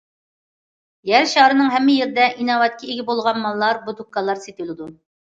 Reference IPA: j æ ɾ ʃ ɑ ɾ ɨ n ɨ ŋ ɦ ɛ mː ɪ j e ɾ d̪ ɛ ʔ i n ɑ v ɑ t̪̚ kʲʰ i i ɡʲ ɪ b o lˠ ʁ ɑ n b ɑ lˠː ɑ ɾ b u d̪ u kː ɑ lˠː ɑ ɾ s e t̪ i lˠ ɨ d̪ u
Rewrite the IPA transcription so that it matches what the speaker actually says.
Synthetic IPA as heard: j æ ɾ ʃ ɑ ɾ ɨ n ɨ ŋ ɦ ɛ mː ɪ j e ɾ d̪ ɛ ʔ i n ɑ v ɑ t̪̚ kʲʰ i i ɡʲ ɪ b o lˠ ʁ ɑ n m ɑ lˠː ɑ ɾ b u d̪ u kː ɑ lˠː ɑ ɾ s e t̪ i lˠ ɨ d̪ u